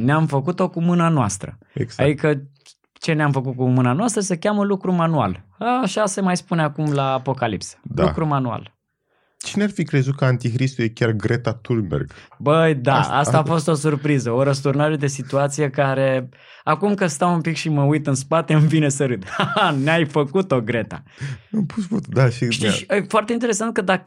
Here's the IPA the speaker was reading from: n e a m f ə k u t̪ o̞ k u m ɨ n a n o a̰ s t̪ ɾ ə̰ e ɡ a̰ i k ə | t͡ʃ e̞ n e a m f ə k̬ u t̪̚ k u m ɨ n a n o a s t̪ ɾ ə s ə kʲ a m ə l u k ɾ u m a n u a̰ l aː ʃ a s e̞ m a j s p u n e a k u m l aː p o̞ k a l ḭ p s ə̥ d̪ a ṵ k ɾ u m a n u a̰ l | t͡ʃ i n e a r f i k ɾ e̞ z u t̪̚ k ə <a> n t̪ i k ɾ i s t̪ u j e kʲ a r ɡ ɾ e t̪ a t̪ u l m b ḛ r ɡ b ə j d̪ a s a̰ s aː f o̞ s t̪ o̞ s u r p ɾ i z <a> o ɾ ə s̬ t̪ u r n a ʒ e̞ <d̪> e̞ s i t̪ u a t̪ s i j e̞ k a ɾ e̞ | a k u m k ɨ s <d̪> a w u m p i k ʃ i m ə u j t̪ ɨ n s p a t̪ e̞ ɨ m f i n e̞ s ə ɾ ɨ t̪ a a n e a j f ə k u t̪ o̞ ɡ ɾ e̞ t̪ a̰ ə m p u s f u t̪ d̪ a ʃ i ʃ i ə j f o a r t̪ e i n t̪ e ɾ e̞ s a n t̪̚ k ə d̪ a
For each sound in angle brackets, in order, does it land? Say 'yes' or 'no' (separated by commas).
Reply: yes, no, yes, no